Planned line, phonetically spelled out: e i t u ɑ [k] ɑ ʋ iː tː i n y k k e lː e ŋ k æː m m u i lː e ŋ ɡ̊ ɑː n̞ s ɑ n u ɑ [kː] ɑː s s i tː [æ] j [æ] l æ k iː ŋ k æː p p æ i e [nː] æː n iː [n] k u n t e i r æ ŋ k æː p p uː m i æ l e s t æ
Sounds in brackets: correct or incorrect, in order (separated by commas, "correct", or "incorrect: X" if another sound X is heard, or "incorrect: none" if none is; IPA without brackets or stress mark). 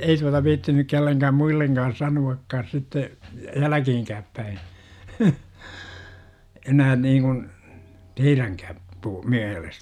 incorrect: t, correct, incorrect: e, correct, incorrect: n, incorrect: ŋ